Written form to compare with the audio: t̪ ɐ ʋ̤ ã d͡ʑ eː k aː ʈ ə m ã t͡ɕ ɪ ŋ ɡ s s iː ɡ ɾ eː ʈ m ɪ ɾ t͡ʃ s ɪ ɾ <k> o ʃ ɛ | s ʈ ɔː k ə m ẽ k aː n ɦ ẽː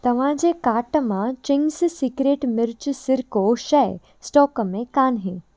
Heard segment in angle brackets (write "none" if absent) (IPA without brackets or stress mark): k